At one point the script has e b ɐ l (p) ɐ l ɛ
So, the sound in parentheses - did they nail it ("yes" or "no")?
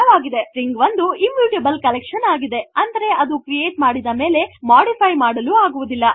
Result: no